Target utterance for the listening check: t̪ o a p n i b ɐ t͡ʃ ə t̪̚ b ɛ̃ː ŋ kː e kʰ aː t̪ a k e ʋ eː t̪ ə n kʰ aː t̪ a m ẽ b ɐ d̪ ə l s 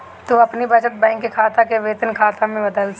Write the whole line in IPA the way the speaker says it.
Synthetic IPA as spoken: t̪ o ɐ p n i b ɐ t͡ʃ ə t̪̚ b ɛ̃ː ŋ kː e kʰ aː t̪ a k e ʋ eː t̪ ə n kʰ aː t̪ a m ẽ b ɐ d̪ ə l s